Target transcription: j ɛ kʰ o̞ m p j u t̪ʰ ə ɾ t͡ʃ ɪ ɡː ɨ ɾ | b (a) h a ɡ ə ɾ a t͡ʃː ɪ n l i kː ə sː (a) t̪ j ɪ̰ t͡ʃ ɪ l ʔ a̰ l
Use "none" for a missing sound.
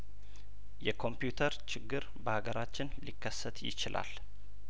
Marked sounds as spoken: ə, ə

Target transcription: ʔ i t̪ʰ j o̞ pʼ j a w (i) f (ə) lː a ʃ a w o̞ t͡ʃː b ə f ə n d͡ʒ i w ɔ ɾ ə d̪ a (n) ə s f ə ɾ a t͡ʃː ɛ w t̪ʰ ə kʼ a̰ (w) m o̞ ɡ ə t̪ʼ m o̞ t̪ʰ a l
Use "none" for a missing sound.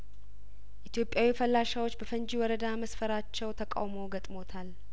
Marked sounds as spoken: i, ə, m, w

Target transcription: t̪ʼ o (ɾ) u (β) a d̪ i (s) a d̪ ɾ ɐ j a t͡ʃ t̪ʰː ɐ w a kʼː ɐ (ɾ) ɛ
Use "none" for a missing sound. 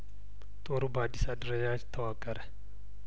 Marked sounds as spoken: ɾ, b, s, ɾ

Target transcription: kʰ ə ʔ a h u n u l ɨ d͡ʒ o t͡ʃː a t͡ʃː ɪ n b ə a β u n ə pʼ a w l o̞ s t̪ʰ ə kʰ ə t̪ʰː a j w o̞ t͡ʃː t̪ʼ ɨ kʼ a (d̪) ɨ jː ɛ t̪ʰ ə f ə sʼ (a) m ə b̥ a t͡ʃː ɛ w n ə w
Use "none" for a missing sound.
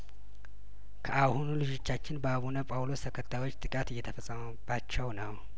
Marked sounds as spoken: t̪, ə

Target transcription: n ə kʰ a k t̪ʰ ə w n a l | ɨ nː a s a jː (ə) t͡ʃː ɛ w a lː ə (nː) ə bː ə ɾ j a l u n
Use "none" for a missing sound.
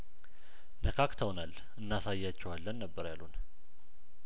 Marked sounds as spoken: a, nː

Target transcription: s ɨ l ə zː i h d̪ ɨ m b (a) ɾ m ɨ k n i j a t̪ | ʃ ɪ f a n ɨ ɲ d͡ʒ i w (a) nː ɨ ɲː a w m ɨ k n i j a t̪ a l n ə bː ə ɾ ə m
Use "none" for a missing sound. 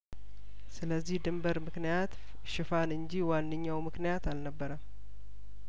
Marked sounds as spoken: ə, a

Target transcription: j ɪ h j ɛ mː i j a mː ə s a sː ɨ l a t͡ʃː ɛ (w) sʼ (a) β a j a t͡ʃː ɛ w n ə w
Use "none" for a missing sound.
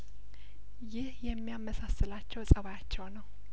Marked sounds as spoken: w, ə

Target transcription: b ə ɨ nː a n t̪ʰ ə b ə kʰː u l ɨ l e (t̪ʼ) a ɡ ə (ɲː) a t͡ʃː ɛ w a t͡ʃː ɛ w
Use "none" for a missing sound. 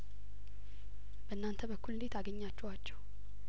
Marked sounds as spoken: t̪, ɲː

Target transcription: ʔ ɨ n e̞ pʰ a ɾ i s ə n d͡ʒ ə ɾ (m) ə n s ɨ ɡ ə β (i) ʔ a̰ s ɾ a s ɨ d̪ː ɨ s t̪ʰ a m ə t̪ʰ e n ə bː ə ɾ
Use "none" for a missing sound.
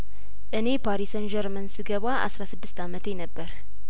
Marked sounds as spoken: m, a

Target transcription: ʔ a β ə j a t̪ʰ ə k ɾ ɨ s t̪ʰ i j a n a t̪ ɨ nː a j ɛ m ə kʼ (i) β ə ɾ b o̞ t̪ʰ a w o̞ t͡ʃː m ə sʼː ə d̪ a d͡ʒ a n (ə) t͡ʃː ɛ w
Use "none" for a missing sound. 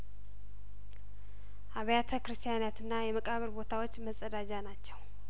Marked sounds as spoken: a, a

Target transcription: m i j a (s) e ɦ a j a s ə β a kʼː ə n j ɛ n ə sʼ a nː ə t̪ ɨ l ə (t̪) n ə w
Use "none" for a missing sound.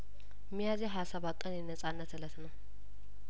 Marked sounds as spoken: z, t̪

